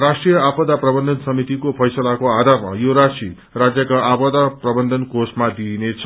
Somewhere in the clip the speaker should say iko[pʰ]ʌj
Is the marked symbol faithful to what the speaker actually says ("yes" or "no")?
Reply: yes